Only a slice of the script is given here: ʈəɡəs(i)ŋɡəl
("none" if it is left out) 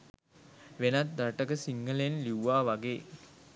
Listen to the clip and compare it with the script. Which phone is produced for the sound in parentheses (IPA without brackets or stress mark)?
i